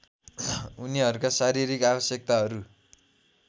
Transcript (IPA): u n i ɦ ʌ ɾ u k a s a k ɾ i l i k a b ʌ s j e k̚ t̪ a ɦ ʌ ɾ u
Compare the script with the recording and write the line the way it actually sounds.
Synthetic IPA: u n i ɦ ʌ ɾ u k a s a ɾ i ɾ i k a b ʌ s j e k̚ t̪ a ɦ ʌ ɾ u